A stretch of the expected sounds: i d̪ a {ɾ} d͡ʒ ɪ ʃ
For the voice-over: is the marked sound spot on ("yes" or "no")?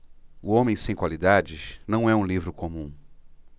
no